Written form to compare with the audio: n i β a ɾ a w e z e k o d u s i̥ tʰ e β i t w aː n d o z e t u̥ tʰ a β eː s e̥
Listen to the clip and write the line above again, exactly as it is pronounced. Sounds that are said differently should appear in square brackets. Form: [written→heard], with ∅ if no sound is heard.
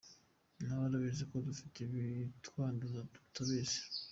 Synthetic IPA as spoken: n [i→a] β a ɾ a [w→β] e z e k o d u [s→f] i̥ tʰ e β i t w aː n d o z [e→a] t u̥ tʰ a β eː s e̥